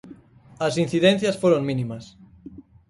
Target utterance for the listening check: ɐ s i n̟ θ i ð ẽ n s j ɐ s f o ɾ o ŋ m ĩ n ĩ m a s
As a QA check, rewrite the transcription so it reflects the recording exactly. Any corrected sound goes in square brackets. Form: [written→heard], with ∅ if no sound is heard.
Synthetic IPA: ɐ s i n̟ θ i ð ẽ n [s→θ] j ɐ s f o ɾ o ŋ m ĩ n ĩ m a s